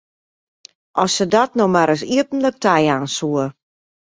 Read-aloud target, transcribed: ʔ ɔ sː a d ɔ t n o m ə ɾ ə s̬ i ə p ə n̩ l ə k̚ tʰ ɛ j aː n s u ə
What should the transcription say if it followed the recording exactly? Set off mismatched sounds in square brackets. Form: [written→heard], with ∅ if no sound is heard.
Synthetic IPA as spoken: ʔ ɔ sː [a→ə] d ɔ t n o m [ə→a] ɾ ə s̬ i ə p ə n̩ l ə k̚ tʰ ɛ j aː n s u ə